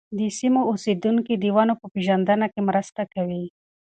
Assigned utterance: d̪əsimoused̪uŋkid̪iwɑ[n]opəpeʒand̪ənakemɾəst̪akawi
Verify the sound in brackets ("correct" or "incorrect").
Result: correct